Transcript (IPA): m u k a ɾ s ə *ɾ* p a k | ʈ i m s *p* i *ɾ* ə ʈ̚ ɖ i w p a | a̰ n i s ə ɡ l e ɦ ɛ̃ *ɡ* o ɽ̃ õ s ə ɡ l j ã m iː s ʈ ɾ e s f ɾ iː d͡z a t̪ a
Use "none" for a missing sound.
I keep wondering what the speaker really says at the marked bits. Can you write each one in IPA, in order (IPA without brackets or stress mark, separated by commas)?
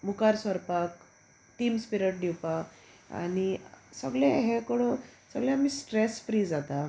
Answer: ɾ, p, ɾ, k